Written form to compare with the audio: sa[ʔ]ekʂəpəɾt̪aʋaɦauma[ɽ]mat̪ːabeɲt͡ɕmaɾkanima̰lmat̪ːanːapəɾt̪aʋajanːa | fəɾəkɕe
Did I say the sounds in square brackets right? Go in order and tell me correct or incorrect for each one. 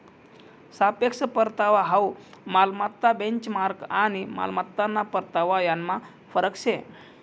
incorrect, incorrect

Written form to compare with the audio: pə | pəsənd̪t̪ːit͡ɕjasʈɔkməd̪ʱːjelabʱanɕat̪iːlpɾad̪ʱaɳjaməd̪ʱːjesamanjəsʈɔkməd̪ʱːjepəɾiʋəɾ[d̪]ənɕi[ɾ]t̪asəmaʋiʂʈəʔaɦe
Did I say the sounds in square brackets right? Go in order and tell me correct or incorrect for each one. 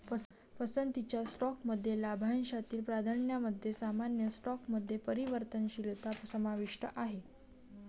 incorrect, incorrect

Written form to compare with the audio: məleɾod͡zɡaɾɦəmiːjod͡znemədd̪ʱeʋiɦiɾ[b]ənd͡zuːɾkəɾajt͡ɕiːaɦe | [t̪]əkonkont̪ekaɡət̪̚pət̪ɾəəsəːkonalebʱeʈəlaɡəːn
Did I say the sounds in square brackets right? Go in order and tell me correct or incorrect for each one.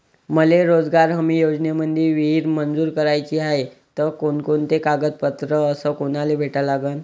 incorrect, correct

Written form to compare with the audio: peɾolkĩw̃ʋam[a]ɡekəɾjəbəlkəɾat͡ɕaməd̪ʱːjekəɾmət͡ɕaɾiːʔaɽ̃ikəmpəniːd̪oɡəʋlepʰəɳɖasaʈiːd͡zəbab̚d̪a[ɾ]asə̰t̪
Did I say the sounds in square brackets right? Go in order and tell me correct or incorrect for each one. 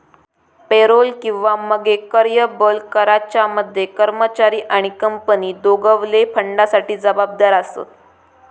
incorrect, correct

